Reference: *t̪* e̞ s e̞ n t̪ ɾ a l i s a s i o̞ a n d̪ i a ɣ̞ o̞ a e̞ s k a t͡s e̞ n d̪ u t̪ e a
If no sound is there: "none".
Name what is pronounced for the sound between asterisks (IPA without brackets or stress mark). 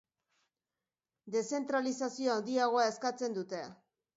d̪